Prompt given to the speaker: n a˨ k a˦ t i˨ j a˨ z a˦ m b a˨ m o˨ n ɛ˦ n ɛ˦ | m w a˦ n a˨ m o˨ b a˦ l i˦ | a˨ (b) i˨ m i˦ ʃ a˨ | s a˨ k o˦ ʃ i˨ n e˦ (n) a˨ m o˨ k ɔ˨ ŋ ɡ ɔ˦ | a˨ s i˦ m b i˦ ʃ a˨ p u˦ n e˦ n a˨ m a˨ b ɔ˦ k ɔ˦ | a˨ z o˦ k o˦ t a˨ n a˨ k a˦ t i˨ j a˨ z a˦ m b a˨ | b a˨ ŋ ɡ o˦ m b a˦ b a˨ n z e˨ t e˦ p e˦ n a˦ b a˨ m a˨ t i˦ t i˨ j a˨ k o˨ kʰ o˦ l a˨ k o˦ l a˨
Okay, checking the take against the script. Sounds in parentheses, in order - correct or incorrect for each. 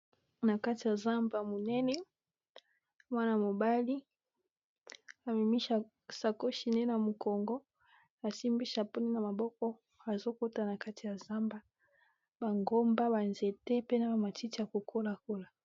incorrect: m, correct

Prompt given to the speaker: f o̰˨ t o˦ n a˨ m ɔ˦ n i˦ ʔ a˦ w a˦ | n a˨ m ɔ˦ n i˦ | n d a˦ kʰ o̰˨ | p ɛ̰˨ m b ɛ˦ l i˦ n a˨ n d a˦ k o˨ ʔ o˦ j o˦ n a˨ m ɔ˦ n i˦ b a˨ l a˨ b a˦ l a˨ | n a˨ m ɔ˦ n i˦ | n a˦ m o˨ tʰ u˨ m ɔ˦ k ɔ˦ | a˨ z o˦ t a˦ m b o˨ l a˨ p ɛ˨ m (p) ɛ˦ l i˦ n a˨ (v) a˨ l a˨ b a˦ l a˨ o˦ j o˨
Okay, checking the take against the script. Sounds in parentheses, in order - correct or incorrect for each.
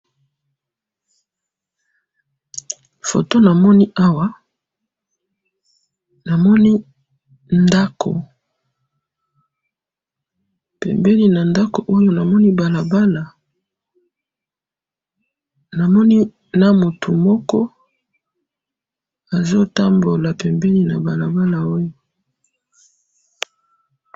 incorrect: b, incorrect: b

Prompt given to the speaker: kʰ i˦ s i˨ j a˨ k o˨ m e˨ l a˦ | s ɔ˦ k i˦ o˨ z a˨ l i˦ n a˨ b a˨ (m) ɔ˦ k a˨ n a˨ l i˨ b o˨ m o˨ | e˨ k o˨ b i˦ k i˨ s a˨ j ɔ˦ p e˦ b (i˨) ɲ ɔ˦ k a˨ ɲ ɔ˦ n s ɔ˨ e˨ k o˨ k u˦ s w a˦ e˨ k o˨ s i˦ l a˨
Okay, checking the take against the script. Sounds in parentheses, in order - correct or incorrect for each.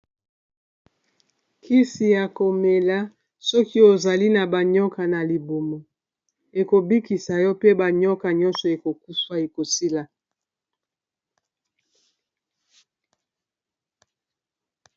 incorrect: ɲ, incorrect: a˨

